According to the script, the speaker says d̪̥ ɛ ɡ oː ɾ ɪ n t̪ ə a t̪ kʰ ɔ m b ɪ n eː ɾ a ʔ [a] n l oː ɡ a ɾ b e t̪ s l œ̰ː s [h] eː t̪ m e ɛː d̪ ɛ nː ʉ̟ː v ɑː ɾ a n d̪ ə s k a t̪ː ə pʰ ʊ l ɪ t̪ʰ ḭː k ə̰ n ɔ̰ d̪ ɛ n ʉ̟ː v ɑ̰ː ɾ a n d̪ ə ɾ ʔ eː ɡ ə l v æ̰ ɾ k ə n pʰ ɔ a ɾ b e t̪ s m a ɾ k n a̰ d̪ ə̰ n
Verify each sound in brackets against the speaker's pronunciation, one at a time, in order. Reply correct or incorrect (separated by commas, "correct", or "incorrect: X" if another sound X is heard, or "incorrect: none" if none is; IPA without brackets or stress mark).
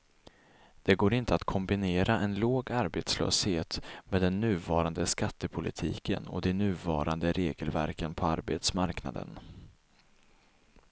incorrect: ɛ, correct